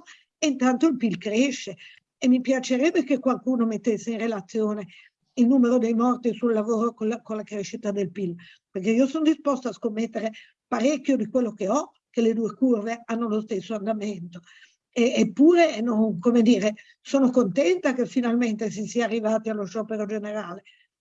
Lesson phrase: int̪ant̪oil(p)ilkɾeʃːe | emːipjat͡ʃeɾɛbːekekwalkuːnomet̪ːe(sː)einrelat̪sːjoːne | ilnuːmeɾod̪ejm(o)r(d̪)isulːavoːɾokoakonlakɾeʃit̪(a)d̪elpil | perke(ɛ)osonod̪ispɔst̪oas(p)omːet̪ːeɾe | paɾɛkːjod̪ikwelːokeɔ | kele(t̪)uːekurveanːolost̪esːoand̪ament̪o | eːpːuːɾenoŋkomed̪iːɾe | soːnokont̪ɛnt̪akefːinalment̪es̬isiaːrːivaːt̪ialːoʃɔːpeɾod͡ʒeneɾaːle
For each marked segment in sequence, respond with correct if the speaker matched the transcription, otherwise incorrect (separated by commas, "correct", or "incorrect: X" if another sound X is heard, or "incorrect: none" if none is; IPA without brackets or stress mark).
correct, correct, incorrect: ɔ, incorrect: t̪, correct, incorrect: i, incorrect: k, incorrect: d̪